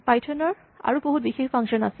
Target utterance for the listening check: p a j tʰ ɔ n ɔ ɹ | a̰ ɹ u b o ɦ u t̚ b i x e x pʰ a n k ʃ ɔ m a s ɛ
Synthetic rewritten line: p a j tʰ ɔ n ɔ ɹ | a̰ ɹ u b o ɦ u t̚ b i x e x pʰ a ŋ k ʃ ɔ n a s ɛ